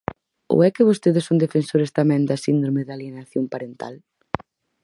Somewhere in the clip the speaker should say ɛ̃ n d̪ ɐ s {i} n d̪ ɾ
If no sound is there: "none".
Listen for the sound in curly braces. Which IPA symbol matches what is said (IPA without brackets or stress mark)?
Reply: i